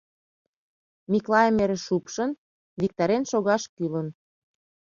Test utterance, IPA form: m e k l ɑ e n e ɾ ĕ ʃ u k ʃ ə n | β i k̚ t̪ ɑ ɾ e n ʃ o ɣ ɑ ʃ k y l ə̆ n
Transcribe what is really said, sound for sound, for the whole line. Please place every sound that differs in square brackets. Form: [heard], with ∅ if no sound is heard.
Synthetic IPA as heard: m [i] k l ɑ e [m] e ɾ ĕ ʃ u [p] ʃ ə n | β i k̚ t̪ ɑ ɾ e n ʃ o ɣ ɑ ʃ k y l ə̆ n